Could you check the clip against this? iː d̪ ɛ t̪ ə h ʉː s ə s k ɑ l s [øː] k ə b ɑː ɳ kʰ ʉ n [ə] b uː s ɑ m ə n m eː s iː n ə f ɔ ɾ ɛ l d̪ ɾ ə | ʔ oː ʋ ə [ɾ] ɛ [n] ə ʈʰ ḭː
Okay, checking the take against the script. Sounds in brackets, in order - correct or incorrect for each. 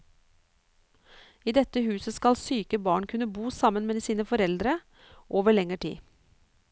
incorrect, correct, incorrect, incorrect

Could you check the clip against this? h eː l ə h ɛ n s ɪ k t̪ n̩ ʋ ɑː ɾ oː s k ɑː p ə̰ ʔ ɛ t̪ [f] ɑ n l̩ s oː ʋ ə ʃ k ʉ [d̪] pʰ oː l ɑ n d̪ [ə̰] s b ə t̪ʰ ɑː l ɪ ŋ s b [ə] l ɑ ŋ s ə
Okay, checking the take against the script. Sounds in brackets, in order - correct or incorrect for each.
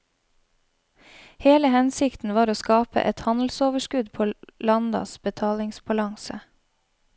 incorrect, correct, incorrect, incorrect

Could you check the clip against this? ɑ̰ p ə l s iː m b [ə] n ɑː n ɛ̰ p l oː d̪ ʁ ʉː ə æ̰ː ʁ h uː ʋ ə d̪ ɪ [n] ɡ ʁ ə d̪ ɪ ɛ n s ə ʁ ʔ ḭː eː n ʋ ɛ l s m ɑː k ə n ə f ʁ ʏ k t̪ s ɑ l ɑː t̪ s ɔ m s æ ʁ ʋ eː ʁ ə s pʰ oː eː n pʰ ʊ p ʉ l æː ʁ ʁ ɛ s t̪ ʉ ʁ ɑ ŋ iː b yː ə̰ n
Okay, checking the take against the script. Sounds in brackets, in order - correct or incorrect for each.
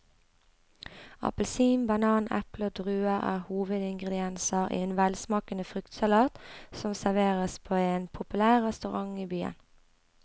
incorrect, incorrect

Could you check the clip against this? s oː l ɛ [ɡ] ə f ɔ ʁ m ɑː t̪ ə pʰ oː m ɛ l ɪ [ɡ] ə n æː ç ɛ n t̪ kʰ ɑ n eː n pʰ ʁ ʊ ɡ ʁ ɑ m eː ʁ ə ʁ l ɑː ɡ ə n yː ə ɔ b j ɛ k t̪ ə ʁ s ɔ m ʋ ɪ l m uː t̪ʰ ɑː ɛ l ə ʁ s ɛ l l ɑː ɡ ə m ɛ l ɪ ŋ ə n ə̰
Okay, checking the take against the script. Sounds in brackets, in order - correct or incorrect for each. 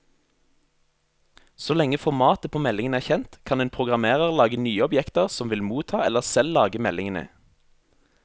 incorrect, incorrect

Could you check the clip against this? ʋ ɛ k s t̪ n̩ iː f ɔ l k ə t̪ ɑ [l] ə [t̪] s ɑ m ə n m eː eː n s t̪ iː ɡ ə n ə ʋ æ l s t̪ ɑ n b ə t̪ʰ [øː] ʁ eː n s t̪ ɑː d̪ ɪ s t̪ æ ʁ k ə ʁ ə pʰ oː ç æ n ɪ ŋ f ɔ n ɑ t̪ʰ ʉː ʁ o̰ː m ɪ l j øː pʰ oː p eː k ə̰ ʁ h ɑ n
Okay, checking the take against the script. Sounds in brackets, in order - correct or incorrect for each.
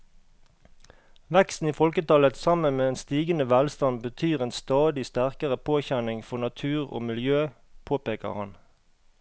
correct, correct, incorrect

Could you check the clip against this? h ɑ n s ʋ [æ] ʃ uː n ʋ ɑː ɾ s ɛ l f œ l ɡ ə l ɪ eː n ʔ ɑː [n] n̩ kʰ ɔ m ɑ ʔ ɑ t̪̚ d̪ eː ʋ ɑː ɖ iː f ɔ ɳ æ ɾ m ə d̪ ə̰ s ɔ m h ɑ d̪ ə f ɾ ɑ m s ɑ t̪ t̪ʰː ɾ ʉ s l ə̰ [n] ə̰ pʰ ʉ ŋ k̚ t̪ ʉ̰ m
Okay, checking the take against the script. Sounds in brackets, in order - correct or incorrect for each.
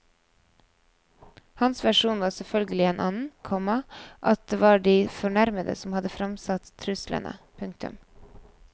correct, correct, correct

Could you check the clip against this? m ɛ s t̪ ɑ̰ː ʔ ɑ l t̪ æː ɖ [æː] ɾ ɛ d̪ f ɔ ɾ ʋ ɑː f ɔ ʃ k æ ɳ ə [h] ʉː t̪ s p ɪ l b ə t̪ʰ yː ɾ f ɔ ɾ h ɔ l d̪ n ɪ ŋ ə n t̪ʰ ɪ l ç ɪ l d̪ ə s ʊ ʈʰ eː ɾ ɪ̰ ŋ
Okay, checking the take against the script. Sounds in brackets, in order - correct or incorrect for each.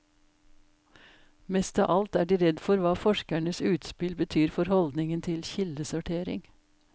incorrect, incorrect

